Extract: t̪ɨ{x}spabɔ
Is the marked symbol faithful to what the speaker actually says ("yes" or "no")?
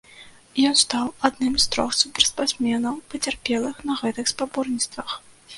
yes